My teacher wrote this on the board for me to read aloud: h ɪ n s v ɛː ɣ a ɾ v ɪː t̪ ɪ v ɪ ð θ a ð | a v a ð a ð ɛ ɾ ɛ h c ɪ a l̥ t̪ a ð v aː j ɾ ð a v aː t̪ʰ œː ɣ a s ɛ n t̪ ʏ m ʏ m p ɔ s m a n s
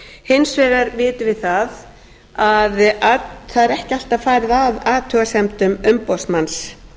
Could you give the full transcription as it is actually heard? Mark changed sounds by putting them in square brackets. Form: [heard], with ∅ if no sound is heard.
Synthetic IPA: h ɪ n s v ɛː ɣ a ɾ v ɪː t̪ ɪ v ɪ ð θ a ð | a [ð] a [θ] a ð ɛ ɾ ɛ h c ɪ a l̥ t̪ a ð [f] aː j ɾ ð a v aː t̪ʰ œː ɣ a s ɛ [m] t̪ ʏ m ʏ m p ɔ s m a n s